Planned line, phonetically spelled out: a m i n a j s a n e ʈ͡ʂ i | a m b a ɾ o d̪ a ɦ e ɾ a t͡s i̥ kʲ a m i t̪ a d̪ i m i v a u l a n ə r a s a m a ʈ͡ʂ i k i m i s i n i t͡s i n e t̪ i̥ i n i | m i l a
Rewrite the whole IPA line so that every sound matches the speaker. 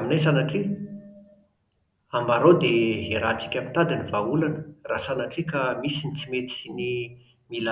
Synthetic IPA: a m i n a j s a n a ʈ͡ʂ i | a m b a ɾ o d̪ e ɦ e ɾ a t͡s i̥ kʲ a m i t̪ a d̪ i n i v a u l a n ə r a s a n a ʈ͡ʂ i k a m i s i n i t͡s i m e t̪ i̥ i n i | m i l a